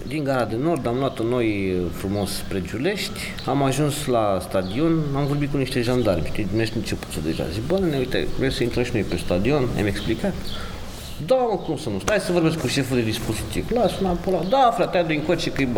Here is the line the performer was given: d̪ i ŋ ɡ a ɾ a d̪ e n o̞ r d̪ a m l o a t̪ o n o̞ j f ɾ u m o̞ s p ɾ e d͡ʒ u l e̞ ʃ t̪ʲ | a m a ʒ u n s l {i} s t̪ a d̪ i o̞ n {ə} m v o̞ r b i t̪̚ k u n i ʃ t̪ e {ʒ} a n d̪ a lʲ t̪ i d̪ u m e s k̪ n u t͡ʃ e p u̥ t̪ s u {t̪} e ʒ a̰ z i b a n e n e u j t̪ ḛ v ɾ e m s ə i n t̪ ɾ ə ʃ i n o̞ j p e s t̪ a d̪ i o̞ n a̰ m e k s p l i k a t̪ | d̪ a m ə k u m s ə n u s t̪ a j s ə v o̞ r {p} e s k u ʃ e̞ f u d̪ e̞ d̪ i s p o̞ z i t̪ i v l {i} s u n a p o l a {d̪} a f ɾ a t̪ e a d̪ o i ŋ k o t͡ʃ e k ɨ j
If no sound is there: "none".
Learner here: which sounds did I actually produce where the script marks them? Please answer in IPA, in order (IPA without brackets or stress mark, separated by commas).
a, a, ʒ, d̪, b, a, d̪